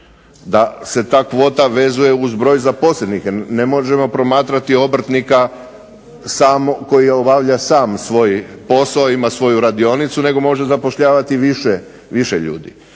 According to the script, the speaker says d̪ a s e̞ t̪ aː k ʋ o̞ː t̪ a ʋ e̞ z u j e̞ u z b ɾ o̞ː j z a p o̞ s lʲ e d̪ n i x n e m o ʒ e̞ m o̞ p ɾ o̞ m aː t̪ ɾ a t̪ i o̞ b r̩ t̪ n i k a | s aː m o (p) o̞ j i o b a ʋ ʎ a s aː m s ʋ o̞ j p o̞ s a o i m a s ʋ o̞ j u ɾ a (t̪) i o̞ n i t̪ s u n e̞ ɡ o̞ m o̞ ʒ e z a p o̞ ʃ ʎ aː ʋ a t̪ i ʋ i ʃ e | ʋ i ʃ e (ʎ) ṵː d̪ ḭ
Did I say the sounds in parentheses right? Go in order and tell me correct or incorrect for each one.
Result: incorrect: k, incorrect: d̪, correct

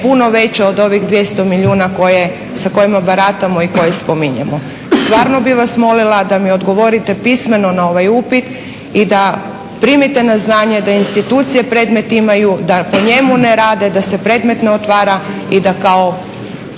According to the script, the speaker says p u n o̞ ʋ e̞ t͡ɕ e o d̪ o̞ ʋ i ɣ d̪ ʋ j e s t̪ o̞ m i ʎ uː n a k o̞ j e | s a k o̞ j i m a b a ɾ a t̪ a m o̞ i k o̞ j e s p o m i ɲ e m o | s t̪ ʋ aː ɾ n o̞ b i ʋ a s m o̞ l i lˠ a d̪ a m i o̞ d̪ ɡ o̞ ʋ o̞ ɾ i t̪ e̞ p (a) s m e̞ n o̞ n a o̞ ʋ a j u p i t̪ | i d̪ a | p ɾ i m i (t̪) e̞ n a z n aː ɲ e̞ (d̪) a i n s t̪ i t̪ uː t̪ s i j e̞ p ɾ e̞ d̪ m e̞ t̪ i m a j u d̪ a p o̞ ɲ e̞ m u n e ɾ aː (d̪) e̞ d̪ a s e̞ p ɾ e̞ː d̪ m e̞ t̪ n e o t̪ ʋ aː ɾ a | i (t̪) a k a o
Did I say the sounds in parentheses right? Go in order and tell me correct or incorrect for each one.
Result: incorrect: i, correct, correct, correct, incorrect: d̪

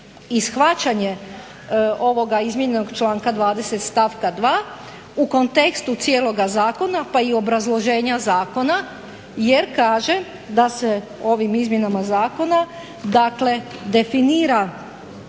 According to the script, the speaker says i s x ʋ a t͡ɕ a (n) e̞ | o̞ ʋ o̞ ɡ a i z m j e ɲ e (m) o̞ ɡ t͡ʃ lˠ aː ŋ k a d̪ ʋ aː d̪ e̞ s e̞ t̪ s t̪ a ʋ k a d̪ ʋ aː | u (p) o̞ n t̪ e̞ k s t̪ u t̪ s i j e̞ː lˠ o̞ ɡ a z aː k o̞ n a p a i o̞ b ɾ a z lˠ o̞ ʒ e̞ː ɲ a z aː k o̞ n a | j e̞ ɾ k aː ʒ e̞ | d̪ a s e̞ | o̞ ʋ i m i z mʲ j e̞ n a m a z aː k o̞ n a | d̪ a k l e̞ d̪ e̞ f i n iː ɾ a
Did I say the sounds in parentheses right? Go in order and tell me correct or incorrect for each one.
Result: incorrect: ɲ, incorrect: n, incorrect: k

